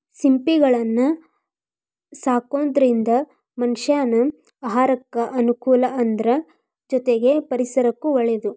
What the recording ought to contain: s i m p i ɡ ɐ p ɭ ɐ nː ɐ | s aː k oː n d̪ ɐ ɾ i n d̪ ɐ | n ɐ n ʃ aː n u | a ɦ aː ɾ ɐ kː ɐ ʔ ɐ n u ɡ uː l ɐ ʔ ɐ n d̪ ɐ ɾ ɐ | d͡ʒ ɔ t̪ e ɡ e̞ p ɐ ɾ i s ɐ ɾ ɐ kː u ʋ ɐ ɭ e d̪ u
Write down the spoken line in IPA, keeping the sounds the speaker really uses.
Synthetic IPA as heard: s i m p i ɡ ɐ ɭ ɐ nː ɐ | s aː k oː n d̪ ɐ ɾ i n d̪ ɐ | m ɐ n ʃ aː n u | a ɦ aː ɾ ɐ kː ɐ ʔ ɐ n u k uː l ɐ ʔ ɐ n d̪ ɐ ɾ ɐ | d͡ʒ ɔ t̪ e ɡ e̞ p ɐ ɾ i s ɐ ɾ ɐ kː u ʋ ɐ ɭ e d̪ u